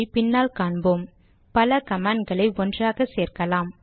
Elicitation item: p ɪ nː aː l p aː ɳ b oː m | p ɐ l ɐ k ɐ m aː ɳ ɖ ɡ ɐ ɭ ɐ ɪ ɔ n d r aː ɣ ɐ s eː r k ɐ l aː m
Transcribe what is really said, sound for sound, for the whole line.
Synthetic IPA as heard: p ɪ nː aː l k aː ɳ b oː m | p ɐ l ɐ k ɐ m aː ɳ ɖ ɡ ɐ ɭ ɐ ɪ ɔ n d r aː ɣ ɐ s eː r k ɐ l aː m